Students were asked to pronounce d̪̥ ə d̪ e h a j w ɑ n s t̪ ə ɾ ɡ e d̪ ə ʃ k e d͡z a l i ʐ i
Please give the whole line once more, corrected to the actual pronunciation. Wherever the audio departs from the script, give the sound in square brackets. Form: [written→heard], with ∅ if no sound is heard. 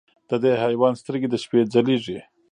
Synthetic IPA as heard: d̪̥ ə d̪ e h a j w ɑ n s t̪ ə ɾ ɡ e d̪ ə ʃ [k→p] e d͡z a l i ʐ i

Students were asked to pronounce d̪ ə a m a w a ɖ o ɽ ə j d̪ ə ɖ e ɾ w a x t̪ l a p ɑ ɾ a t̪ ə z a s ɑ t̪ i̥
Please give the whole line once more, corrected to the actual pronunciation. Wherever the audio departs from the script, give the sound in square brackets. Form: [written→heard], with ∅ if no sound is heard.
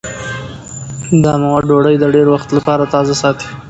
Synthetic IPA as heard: d̪ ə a m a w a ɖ o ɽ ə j d̪ ə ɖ e ɾ w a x t̪ l a p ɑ ɾ a t̪ [ə→ɑ] z a s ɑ t̪ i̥

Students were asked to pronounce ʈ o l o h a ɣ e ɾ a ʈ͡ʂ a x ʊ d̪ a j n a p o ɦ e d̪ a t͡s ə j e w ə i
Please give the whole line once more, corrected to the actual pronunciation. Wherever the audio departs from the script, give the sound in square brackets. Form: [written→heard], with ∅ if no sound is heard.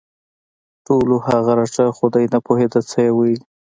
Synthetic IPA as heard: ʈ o l o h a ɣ [e→a] ɾ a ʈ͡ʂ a x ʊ d̪ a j n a p o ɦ e d̪ a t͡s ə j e w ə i

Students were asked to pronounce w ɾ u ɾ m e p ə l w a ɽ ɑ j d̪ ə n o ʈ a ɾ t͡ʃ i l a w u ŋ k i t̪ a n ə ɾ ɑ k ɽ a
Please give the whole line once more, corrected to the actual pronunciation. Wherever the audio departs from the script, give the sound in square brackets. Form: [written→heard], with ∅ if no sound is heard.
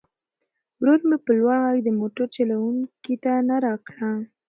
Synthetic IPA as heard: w ɾ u ɾ m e p ə l w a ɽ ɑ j d̪ ə [n→m] o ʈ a ɾ t͡ʃ [i→a] l a w u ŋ k i t̪ a n [ə→a] ɾ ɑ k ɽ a

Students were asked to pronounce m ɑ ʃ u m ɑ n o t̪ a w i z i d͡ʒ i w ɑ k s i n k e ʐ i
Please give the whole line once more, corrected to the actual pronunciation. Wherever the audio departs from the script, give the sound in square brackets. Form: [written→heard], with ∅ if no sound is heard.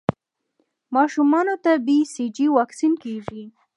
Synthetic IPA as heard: m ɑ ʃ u m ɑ n o t̪ a [w→b] i [z→s] i d͡ʒ i w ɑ k s i n k e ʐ i

